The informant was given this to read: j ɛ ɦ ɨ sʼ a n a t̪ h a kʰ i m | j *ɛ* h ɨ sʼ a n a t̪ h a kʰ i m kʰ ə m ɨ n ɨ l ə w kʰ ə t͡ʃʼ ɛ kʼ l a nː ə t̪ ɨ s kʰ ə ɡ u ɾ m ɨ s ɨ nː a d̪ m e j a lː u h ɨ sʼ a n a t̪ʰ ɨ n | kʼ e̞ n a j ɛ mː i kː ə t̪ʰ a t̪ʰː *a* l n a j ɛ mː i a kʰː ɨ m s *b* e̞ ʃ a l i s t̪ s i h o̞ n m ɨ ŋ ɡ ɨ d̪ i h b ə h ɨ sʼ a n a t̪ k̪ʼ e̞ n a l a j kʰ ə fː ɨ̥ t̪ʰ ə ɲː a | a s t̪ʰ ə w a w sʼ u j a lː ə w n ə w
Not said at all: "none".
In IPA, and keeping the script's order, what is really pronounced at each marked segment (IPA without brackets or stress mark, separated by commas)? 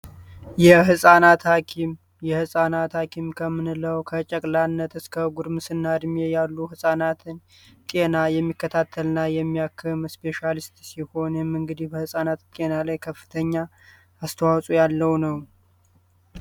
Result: ɛ, ə, p